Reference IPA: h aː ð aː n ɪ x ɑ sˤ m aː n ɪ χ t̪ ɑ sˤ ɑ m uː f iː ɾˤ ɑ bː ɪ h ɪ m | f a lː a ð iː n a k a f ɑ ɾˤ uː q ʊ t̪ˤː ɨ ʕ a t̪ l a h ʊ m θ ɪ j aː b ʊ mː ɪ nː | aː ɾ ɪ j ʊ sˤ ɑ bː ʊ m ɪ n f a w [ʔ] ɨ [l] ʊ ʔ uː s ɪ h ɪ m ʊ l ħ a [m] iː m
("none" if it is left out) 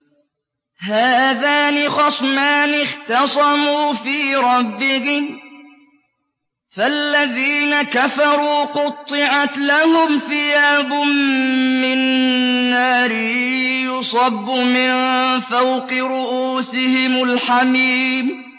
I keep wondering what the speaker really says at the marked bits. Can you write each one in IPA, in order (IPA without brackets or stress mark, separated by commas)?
q, ɾ, m